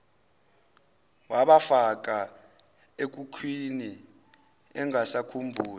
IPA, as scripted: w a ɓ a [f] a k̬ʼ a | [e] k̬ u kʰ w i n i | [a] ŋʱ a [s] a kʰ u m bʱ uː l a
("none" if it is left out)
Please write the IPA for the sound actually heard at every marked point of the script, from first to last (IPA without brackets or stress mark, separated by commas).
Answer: f, e, ɛ, s